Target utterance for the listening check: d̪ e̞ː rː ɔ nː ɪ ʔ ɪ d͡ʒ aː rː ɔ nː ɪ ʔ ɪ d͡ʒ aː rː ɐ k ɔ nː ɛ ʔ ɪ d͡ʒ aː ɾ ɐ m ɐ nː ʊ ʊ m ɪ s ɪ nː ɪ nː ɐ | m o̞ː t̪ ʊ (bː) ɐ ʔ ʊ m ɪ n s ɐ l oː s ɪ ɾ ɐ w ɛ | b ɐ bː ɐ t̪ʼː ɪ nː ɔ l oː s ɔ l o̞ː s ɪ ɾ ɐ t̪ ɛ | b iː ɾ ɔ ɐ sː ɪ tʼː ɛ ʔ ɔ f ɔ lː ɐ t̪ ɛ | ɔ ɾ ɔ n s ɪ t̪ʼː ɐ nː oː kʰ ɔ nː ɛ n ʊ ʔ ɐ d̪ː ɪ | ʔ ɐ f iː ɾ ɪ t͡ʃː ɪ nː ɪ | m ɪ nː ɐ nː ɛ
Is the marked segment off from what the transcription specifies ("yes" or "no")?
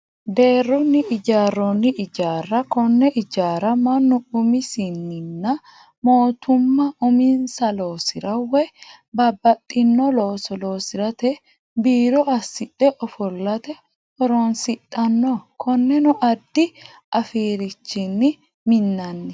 yes